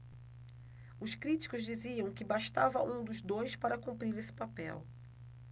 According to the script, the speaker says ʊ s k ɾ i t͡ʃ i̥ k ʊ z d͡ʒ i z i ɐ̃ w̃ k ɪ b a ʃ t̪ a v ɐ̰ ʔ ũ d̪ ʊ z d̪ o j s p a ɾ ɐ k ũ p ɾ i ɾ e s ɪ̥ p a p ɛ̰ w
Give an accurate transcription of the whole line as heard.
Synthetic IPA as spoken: ʊ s k ɾ i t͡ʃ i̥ k ʊ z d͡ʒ i z i ɐ̃ w̃ k ɪ b a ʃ t̪ a v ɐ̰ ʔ ũ d̪ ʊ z d̪ o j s p a ɾ ɐ k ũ p ɾ i ɾ e s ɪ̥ p a p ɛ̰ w